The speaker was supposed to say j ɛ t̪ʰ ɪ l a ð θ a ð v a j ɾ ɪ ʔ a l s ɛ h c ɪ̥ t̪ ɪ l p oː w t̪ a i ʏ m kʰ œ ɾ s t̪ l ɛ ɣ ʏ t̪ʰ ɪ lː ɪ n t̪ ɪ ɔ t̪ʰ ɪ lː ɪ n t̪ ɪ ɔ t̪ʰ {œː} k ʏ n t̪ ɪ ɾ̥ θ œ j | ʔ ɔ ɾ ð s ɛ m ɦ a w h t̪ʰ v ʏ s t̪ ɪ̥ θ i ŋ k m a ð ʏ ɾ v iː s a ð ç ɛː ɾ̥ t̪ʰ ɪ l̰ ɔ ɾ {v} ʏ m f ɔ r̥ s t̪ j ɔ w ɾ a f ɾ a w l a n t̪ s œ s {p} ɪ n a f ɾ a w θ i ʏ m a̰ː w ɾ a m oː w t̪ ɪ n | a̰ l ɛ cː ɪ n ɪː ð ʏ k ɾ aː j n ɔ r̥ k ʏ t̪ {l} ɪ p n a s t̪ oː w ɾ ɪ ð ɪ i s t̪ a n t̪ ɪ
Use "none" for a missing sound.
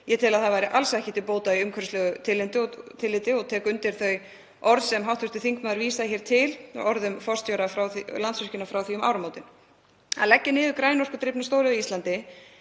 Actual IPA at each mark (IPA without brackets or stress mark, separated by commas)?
ɛː, ð, c, ɾ